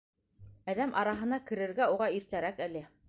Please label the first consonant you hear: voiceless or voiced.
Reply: voiced